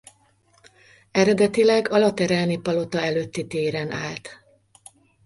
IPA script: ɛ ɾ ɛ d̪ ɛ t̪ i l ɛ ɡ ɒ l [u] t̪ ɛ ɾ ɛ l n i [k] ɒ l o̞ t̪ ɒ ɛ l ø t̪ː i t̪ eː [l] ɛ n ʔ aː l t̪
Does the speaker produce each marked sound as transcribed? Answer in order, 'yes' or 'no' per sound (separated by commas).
no, no, no